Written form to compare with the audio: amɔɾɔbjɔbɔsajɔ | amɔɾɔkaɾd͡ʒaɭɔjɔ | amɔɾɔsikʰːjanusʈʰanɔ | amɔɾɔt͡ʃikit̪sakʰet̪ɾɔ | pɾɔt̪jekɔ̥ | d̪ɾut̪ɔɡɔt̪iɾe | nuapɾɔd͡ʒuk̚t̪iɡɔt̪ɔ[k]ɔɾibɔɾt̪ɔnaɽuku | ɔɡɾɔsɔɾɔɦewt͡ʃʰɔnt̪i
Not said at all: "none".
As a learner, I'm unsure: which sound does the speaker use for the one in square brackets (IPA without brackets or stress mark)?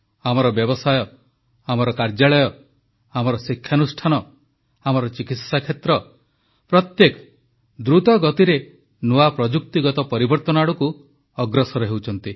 p